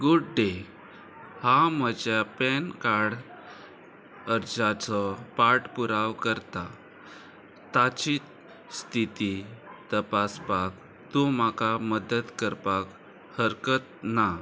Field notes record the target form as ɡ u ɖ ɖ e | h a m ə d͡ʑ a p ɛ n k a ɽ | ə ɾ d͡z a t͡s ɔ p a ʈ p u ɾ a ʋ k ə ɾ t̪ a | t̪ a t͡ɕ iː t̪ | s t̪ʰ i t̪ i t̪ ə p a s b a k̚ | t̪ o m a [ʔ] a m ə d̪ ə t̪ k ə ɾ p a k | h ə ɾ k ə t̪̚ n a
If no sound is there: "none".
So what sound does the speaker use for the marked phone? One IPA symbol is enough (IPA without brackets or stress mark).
k